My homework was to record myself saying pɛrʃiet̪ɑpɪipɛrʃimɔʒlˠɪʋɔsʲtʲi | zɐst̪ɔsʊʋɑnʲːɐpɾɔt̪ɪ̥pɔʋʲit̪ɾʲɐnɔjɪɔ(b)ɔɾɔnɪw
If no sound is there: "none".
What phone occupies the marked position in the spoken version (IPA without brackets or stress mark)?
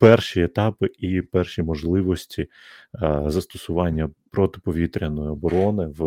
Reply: b